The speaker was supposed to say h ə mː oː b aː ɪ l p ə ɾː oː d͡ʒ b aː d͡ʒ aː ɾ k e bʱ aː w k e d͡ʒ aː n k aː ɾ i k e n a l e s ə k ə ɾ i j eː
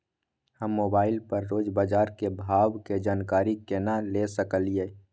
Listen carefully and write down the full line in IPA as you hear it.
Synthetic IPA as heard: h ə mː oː b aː ɪ l p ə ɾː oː d͡ʒ b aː d͡ʒ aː ɾ k e bʱ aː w k e d͡ʒ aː n k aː ɾ i k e n a l e s ə k ə l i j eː